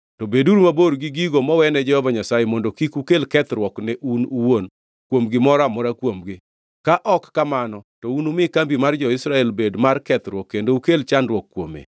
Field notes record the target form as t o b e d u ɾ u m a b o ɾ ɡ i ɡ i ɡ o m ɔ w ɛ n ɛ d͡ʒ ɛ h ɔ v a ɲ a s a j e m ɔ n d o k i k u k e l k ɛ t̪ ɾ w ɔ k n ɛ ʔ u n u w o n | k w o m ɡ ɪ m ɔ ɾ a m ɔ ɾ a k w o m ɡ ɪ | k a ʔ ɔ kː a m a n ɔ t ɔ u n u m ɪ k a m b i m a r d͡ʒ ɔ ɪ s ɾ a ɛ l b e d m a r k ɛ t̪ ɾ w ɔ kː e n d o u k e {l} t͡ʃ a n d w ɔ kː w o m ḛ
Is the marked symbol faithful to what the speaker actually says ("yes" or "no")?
yes